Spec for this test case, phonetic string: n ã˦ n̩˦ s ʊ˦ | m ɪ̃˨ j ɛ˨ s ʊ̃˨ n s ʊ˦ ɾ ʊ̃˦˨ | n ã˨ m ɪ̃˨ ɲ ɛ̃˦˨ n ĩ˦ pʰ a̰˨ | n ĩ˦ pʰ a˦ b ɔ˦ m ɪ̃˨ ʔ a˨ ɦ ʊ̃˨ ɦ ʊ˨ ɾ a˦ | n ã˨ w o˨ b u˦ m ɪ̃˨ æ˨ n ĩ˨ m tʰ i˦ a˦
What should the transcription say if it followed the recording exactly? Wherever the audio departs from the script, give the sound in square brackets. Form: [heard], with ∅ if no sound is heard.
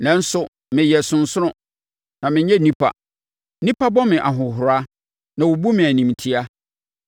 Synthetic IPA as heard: n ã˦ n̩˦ s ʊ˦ | m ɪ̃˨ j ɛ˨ s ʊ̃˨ n s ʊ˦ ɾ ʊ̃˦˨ | n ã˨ m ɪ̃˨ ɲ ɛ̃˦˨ n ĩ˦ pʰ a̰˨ | n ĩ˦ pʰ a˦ b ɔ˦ m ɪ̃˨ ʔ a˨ ɦ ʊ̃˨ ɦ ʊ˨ ɾ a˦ | n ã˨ w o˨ b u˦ m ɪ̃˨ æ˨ n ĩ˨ m tʰ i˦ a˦